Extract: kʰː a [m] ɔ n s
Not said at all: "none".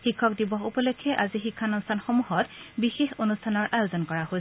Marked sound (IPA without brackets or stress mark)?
n